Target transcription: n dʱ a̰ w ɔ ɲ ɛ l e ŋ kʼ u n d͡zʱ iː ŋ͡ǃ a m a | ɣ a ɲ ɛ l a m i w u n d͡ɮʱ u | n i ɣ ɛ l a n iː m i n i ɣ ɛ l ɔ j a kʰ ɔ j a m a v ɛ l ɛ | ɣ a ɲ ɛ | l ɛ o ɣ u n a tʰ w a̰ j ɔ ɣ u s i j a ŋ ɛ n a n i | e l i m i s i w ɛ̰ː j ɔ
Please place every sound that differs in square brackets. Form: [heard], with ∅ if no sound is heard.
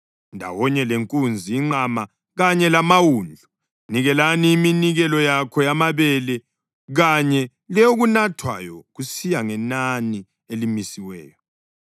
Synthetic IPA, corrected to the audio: n dʱ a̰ w ɔ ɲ ɛ l e ŋ kʼ u n d͡zʱ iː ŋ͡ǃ a m a | ɣ a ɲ ɛ l a m [a] w u n d͡ɮʱ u | n i ɣ ɛ l a n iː m i n i ɣ ɛ l ɔ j a kʰ ɔ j a m a [β] ɛ l ɛ | ɣ a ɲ ɛ | l ɛ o ɣ u n a tʰ w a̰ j ɔ ɣ u s i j a ŋ ɛ n a n i | e l i m i s i w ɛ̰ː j ɔ